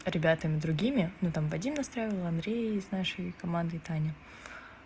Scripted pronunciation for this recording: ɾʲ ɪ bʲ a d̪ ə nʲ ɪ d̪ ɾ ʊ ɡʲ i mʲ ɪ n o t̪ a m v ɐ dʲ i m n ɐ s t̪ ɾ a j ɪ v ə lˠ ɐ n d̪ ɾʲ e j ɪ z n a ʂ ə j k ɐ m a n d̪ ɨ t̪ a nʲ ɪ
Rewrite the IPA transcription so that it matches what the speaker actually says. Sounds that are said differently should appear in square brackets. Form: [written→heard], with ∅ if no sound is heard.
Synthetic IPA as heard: ɾʲ ɪ bʲ a [d̪→t̪] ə [nʲ→mʲ] ɪ d̪ ɾ ʊ ɡʲ i mʲ ɪ n [o→u] t̪ a m v ɐ dʲ i m n ɐ s t̪ ɾ a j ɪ v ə lˠ ɐ n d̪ ɾʲ e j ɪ z n a ʂ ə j k ɐ m a n d̪ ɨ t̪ a nʲ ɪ